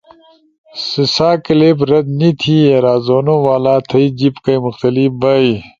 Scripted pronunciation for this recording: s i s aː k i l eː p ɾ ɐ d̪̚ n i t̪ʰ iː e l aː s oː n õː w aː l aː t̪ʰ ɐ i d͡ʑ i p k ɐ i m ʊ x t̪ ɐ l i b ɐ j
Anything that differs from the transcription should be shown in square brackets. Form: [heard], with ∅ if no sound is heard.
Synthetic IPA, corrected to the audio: s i s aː k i l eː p ɾ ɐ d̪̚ n i t̪ʰ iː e [ɾ] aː [z] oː n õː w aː l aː t̪ʰ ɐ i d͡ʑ i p k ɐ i m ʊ x t̪ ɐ l i b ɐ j

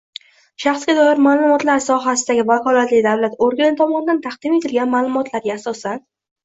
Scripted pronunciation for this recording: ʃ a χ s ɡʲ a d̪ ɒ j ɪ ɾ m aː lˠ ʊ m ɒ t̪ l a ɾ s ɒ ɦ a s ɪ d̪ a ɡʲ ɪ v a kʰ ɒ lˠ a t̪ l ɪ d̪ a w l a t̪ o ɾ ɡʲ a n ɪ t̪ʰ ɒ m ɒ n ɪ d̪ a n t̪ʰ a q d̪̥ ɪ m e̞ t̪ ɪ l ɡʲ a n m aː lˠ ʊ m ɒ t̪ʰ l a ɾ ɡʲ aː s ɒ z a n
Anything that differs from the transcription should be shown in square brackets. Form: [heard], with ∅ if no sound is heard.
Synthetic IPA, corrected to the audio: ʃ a χ s ɡʲ a d̪ ɒ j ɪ ɾ m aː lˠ ʊ m ɒ t̪ l a ɾ s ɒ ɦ a s ɪ d̪ a ɡʲ ɪ v a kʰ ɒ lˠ a t̪ l ɪ d̪ a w l a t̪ o ɾ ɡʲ a n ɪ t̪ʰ ɒ m ɒ n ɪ d̪ a n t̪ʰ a q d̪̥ ɪ m e̞ t̪ ɪ l ɡʲ a n m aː lˠ ʊ m ɒ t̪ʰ l a ɾ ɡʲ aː s ɒ [s] a n

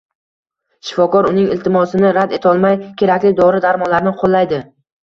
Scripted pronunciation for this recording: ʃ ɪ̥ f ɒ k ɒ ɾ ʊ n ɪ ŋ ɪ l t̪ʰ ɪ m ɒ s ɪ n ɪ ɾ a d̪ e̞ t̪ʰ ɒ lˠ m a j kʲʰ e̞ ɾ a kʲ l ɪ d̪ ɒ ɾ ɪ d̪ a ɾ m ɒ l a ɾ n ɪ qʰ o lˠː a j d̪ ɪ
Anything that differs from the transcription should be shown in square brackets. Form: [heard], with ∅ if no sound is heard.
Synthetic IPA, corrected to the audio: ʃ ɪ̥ f ɒ k ɒ ɾ ʊ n ɪ ŋ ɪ l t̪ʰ ɪ m ɒ s ɪ n ɪ ɾ a d̪ e̞ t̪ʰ ɒ lˠ m a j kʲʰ e̞ ɾ a kʲ l ɪ d̪ ɒ ɾ ɪ d̪ a ɾ m ɒ l a ɾ n ɪ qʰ o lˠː a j d̪ ɪ

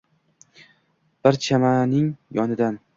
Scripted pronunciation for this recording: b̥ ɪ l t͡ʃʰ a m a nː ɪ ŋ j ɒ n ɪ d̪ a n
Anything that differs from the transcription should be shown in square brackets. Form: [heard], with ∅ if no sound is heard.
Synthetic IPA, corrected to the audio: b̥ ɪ [ɾ] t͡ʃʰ a m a [n] ɪ ŋ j ɒ n ɪ d̪ a n

